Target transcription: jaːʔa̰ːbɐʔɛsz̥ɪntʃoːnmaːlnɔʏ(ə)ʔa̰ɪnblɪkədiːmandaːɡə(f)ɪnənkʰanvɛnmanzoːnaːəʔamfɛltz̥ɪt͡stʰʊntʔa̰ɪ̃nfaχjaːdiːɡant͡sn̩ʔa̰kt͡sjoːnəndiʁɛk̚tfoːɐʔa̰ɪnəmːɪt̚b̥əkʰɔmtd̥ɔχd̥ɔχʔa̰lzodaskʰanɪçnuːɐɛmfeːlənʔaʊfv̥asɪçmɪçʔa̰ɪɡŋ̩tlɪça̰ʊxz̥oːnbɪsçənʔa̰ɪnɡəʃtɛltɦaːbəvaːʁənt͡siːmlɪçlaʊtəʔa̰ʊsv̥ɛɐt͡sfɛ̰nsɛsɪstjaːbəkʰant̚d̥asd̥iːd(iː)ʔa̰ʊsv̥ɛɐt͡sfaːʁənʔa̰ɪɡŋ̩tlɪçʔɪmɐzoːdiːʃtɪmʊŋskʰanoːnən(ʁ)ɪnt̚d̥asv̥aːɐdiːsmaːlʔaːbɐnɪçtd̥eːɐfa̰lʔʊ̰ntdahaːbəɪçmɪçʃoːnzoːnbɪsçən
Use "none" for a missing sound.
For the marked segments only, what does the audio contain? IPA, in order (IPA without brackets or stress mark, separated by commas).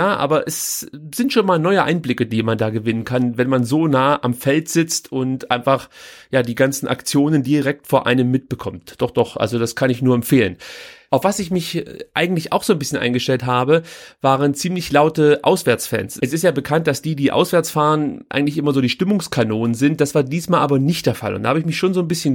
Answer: ə, v, iː, z